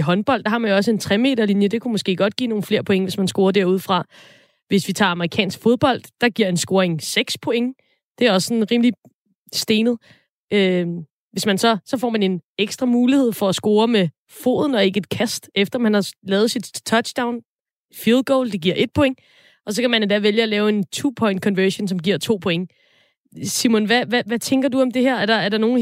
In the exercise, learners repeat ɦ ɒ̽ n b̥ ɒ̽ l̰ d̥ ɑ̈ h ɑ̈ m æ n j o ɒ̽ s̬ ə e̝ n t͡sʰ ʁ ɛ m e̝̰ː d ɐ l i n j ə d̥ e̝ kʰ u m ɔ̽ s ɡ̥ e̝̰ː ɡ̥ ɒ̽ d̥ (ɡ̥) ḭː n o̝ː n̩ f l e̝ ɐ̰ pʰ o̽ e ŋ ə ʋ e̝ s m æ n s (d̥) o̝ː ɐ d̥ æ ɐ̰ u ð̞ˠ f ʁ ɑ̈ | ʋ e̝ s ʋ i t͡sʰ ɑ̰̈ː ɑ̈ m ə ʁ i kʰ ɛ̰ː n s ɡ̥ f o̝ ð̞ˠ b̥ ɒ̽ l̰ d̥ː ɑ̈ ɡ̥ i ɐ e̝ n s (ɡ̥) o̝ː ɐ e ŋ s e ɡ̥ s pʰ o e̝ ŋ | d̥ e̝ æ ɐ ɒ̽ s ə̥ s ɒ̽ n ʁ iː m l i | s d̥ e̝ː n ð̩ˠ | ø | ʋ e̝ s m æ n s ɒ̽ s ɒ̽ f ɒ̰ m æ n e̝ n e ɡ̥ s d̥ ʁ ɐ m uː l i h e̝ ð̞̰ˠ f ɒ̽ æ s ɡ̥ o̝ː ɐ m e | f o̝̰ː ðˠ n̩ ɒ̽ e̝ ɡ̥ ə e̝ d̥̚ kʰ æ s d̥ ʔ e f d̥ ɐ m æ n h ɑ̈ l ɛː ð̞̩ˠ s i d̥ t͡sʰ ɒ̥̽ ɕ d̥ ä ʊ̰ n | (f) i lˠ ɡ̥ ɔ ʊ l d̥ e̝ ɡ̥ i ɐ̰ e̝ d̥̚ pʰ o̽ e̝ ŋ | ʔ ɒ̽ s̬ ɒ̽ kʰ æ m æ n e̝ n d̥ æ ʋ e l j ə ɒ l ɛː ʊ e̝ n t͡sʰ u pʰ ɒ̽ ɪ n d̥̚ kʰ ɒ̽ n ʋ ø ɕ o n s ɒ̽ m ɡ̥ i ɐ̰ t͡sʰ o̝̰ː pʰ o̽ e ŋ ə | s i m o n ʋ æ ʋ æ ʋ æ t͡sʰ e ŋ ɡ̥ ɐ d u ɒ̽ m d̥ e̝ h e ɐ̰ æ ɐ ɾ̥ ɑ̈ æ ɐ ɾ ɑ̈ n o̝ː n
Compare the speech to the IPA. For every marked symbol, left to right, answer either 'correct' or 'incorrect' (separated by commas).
correct, incorrect, correct, correct